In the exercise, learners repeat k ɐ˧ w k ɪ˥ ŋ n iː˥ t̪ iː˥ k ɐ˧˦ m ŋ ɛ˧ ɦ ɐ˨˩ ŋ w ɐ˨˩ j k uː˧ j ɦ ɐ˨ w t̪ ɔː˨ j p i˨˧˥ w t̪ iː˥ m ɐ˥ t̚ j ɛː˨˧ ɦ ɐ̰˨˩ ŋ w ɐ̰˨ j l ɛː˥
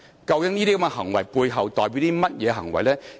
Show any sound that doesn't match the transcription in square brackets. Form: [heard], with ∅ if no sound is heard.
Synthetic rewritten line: k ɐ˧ w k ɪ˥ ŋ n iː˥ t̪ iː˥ k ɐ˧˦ m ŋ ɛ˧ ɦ ɐ˨˩ ŋ w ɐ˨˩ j [p] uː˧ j ɦ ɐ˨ w t̪ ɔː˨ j p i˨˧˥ w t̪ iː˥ m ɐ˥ t̚ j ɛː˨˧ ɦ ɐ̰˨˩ ŋ w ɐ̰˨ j l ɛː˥